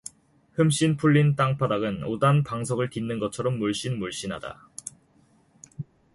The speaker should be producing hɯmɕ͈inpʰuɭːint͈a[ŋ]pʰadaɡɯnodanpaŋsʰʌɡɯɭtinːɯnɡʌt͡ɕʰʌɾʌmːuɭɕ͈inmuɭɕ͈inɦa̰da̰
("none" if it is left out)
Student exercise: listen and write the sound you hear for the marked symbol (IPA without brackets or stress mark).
ŋ